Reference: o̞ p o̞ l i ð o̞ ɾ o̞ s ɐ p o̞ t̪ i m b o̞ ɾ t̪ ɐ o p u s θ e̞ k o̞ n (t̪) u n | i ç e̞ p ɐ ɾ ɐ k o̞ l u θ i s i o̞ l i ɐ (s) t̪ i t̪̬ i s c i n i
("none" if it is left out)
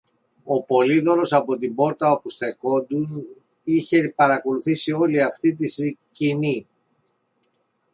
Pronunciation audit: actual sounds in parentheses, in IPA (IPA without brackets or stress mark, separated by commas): d̪, f